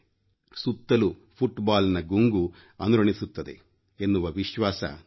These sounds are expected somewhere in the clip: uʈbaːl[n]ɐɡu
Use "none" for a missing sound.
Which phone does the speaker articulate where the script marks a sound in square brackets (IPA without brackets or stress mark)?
n